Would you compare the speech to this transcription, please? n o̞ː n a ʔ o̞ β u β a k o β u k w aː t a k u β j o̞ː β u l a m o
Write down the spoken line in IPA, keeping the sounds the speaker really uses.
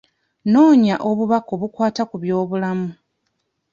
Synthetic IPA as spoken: n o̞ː ɲ a ʔ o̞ β u β a k o β u k w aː t a k u β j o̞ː β u l a m u